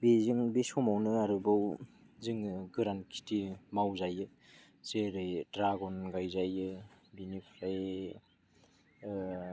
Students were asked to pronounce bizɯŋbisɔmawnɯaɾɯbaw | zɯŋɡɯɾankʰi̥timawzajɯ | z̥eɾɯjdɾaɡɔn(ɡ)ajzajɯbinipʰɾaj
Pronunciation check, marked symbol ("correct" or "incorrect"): correct